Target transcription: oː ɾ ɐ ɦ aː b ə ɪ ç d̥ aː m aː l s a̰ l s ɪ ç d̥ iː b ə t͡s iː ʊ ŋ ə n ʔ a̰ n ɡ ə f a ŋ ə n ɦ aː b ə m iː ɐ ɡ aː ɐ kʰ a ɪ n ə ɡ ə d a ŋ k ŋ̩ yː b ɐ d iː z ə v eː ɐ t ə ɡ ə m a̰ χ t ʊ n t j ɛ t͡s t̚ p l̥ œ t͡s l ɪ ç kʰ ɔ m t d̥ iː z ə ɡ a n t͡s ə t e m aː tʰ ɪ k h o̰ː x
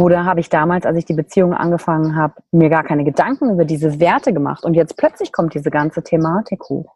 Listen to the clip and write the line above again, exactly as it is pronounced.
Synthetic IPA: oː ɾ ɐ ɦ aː b ə ɪ ç d̥ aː m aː l s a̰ l s ɪ ç d̥ iː b ə t͡s iː ʊ ŋ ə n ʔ a̰ n ɡ ə f a ŋ ə n ɦ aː b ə m iː ɐ ɡ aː ɐ kʰ a ɪ n ə ɡ ə d a ŋ k ŋ̩ yː b ɐ d iː z ə v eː ɐ t ə ɡ ə m a̰ χ t ʊ n t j ɛ t͡s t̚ p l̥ œ t͡s l ɪ ç kʰ ɔ m t d̥ iː z ə ɡ a n t͡s ə tʰ e m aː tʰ ɪ k h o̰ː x